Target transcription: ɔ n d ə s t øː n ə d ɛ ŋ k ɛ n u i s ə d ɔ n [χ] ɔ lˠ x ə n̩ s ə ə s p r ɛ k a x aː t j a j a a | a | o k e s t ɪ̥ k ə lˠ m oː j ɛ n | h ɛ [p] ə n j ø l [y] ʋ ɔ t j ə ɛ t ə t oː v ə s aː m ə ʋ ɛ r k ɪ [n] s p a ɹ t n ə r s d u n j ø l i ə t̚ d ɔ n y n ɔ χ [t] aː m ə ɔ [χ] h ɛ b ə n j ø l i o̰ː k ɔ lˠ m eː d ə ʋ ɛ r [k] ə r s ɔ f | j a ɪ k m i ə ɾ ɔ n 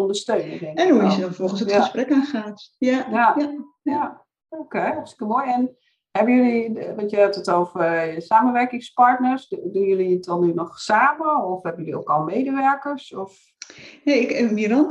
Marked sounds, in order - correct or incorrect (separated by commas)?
incorrect, incorrect, incorrect, incorrect, incorrect, incorrect, correct